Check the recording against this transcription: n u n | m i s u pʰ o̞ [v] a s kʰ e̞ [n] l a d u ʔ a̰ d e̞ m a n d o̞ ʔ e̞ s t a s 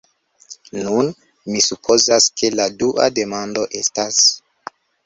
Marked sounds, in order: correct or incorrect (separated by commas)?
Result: incorrect, incorrect